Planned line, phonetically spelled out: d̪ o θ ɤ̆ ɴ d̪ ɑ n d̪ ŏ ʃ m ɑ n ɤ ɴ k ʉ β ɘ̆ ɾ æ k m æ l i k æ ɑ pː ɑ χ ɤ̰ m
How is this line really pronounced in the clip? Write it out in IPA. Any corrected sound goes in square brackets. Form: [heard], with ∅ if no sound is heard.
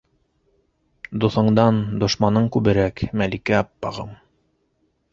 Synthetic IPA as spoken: d̪ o θ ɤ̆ ɴ d̪ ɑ n d̪ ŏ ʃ m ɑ n ɤ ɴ k ʉ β ɘ̆ ɾ æ k m æ l i k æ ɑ pː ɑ [ʁ] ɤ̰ m